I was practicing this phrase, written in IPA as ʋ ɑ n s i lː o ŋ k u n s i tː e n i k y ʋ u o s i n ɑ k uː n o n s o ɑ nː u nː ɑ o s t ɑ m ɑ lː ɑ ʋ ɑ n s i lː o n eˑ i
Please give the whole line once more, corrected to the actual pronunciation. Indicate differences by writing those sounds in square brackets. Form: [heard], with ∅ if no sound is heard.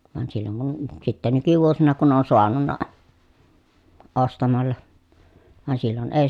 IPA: ʋ ɑ n s i lː o ŋ k u n s i tː e n [y] k y ʋ u o s i n ɑ k [u] n o n s o ɑ [n] u nː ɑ o s t ɑ m ɑ lː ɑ ʋ ɑ n s i lː o n eˑ i

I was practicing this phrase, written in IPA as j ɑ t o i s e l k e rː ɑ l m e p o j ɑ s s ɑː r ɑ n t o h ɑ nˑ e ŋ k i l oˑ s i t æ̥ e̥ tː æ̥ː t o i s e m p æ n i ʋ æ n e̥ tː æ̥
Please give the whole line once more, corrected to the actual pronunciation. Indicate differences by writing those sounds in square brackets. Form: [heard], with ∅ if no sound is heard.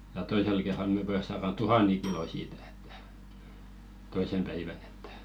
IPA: j ɑ t o i s e l k e rː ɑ l m e p o j ɑ s s ɑː r ɑ n t [u] h ɑ nˑ e ŋ k i l oˑ s [iː] t æ̥ e̥ tː [æ̥] t o i s e m p æ [∅] i ʋ æ n e̥ tː æ̥

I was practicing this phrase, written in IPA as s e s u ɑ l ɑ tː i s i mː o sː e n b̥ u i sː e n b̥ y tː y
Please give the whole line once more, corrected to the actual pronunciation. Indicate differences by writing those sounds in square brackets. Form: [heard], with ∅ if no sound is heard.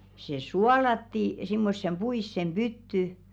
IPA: s e s u ɑ l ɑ tː i s i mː o sː e [m] b̥ u i sː e [m] b̥ y tː y

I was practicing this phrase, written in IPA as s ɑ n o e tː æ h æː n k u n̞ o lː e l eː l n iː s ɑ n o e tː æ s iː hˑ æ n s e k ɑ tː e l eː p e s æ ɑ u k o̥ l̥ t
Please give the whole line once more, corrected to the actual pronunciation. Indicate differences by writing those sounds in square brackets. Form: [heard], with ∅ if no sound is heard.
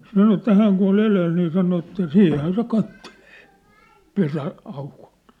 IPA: s ɑ n o e tː æ h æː [ŋ] k u n̞ o [l] e l eː l n iː s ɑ n o e tː æ s iː hˑ æ n s e k ɑ tː e l eː p e s æ ɑ u k o̥ l̥ t

